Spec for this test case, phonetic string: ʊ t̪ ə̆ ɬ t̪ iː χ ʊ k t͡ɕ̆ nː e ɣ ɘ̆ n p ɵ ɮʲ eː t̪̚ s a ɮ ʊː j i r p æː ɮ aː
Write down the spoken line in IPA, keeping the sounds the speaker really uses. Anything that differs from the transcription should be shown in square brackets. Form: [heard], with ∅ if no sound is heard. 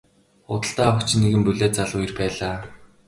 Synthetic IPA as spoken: ʊ t̪ ə̆ ɬ t̪ [aː] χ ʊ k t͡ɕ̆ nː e ɣ ɘ̆ [m] p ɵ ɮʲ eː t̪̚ [t͡s] a ɮ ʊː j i r p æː ɮ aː